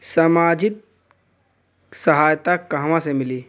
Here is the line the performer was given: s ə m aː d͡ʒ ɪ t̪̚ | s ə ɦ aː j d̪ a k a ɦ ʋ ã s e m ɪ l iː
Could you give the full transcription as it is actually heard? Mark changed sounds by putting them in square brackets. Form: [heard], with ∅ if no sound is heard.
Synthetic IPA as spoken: s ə m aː d͡ʒ ɪ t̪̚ | s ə ɦ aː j [t̪] a k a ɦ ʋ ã s e m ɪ l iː

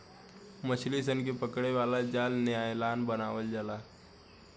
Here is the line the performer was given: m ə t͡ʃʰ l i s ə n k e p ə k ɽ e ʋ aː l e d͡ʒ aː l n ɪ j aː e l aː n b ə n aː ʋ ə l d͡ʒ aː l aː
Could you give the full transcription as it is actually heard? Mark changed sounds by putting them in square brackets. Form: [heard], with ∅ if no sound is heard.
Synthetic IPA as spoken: m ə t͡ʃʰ l i s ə n k e p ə k ɽ e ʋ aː l [a] d͡ʒ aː l n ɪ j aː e l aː n b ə n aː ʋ ə l d͡ʒ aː l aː

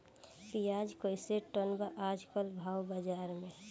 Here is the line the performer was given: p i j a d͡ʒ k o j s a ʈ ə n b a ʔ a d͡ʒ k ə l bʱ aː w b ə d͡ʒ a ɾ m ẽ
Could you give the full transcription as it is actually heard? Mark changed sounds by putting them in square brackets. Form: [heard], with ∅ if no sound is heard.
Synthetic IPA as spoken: p i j a d͡ʒ k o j s [e] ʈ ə n b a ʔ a d͡ʒ k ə l bʱ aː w b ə d͡ʒ a ɾ m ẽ

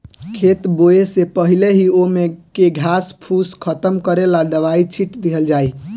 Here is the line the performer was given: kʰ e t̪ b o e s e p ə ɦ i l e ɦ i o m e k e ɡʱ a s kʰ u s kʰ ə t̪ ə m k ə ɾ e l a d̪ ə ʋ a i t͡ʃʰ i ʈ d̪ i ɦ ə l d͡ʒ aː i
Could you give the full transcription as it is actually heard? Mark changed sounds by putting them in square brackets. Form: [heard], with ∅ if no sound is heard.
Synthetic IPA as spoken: kʰ e t̪ b o e s e p ə ɦ i l e ɦ i o m e k e ɡʱ a s [pʰ] u s kʰ ə t̪ ə m k ə ɾ e l a d̪ ə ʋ a i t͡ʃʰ i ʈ d̪ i ɦ ə l d͡ʒ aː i

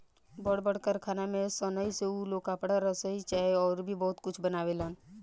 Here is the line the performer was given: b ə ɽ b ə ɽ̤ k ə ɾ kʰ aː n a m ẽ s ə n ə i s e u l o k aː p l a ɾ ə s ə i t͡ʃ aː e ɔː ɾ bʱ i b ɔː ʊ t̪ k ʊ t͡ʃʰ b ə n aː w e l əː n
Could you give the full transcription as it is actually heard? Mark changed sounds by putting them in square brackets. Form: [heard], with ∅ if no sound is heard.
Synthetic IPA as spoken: b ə ɽ b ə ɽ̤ k ə ɾ kʰ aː n a m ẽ s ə n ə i s e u l o k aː p [ɽ] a ɾ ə s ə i t͡ʃ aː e ɔː ɾ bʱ i b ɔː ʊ t̪ k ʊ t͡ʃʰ b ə n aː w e l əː n

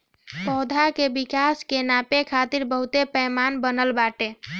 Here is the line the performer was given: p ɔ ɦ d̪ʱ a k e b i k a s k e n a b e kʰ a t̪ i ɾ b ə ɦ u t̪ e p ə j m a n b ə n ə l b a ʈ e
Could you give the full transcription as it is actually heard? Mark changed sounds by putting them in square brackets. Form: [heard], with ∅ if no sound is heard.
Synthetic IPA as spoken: p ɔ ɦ d̪ʱ a k e b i k a s k e n a [p] e kʰ a t̪ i ɾ b ə ɦ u t̪ e p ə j m a n b ə n ə l b a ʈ e

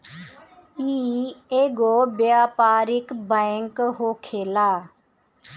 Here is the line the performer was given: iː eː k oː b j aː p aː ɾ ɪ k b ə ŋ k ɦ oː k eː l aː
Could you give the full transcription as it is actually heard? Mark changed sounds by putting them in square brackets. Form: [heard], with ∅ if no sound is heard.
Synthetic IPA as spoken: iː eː [ɡ] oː b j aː p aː ɾ ɪ k b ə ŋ k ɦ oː [kʰ] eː l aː

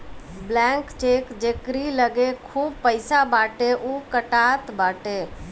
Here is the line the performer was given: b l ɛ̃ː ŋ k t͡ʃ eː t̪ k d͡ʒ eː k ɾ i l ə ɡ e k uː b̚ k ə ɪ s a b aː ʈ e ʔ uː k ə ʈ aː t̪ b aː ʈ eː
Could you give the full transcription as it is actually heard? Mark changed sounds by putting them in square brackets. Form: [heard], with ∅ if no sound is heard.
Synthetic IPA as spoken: b l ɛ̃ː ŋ k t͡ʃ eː [∅] k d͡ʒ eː k ɾ i l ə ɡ e [kʰ] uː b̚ [p] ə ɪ s a b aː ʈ e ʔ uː k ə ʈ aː t̪ b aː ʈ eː

